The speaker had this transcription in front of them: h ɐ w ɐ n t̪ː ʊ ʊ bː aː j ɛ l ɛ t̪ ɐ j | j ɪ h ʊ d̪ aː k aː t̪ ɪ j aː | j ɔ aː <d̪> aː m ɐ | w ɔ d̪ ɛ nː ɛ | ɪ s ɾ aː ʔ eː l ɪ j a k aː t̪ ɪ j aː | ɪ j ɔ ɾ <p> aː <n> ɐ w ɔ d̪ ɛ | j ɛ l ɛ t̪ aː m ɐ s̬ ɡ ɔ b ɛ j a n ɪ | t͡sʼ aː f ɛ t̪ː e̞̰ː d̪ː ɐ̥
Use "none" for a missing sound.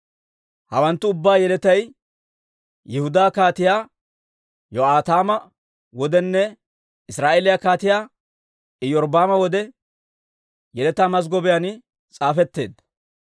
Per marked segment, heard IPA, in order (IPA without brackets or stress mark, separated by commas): t̪, b, m